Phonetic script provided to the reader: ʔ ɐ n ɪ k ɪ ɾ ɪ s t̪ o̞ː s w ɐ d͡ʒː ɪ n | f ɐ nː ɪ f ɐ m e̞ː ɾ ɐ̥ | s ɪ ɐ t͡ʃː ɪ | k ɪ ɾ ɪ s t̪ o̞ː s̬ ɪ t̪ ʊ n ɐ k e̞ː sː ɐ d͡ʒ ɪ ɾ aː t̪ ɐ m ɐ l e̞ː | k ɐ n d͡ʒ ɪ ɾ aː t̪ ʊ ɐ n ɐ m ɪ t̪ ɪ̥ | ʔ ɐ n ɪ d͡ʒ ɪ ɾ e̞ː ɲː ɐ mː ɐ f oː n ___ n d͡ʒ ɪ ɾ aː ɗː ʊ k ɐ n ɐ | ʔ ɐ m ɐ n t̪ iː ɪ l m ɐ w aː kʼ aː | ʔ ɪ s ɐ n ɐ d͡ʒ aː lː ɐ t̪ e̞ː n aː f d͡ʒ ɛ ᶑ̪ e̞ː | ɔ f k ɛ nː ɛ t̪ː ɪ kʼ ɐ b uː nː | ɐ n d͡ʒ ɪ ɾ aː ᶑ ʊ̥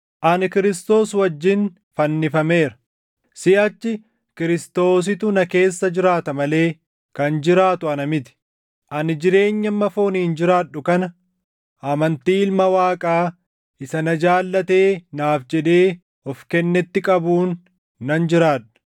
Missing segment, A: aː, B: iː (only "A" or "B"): B